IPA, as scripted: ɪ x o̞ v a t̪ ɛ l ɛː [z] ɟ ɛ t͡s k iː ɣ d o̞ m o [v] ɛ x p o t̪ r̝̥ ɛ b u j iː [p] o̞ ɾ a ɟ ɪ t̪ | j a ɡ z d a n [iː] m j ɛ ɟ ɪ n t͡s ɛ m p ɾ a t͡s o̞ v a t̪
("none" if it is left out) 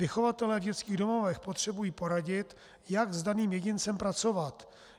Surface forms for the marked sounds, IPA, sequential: v, v, p, iː

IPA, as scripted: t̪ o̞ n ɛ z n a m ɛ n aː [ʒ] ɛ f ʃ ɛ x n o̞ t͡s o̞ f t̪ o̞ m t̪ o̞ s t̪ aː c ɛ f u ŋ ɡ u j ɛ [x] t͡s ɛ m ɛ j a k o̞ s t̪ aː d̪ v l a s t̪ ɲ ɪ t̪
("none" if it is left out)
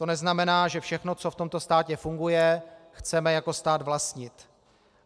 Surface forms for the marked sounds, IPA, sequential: ʒ, x

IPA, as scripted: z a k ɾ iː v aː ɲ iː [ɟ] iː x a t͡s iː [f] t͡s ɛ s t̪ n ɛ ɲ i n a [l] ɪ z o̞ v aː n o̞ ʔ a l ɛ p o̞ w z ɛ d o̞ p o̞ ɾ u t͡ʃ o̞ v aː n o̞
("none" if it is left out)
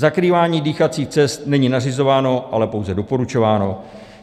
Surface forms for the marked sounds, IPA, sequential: d, x, r

